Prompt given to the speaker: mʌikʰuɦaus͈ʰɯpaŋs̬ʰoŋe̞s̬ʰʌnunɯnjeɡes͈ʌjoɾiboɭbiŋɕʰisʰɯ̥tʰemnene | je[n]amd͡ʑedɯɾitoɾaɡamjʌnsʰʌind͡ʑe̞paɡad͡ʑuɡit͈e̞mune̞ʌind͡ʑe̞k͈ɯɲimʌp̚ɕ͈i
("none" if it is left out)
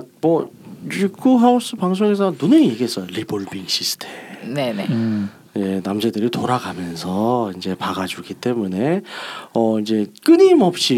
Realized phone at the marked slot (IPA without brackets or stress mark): n